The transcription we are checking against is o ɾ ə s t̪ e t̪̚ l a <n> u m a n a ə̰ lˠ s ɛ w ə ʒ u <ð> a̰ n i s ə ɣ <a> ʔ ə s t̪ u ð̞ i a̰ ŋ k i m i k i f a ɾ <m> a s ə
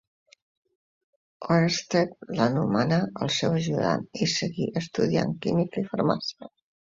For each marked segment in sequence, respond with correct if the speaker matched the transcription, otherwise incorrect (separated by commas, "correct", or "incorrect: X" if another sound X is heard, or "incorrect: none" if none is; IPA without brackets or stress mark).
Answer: correct, correct, incorrect: i, correct